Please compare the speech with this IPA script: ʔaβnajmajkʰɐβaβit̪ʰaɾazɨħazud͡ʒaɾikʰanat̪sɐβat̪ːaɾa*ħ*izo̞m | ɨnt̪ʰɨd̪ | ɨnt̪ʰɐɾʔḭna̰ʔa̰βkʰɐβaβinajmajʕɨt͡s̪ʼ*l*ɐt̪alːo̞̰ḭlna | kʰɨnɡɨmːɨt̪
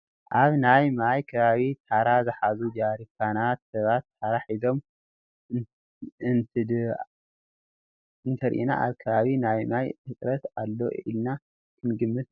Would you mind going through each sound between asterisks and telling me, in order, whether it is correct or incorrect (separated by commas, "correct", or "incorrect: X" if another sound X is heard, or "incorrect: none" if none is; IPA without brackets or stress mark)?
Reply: correct, incorrect: ɾ